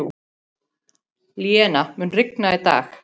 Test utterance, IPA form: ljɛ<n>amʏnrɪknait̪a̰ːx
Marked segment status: correct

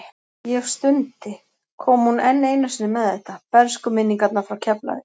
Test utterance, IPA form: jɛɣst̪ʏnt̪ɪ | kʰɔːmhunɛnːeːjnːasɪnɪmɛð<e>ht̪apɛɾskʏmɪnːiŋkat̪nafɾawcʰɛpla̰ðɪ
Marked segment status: incorrect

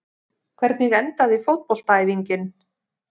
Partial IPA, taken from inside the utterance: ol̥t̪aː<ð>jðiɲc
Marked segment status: incorrect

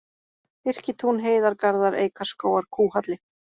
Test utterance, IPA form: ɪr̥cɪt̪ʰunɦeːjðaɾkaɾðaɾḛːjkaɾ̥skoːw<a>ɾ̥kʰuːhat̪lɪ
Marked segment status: correct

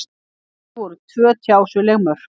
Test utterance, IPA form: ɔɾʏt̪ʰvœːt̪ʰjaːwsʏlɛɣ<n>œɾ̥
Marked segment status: incorrect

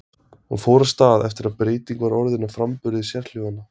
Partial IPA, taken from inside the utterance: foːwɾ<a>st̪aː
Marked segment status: correct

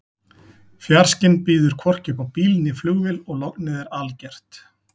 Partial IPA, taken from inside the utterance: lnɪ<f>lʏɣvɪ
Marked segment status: correct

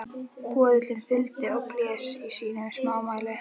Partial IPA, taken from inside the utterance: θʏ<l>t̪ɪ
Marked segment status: correct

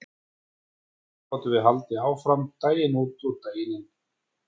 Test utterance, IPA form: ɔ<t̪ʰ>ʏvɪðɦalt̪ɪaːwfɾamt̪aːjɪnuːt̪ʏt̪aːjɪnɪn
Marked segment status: incorrect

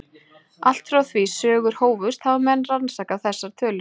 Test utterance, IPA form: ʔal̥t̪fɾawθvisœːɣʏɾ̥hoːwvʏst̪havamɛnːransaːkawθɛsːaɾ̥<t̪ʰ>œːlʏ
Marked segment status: correct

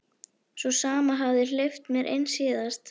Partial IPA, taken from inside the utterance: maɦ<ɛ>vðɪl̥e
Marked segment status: incorrect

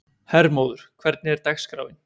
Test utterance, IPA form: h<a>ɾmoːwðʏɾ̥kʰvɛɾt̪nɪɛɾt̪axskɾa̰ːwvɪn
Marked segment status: incorrect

